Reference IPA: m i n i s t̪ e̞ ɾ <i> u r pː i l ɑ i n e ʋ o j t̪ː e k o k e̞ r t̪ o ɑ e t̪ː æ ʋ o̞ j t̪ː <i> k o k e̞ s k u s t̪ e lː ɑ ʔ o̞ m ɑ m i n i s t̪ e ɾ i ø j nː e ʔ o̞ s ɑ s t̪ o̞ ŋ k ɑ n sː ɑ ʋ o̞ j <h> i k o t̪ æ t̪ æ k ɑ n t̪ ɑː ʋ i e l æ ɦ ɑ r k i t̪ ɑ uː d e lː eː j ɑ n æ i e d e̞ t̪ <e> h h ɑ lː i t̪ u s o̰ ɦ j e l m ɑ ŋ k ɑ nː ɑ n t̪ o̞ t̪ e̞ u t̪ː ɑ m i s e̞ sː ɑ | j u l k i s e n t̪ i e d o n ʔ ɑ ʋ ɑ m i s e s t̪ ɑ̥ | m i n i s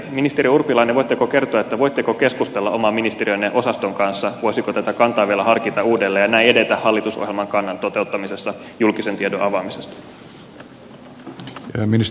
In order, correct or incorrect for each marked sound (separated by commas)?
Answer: correct, incorrect, incorrect, incorrect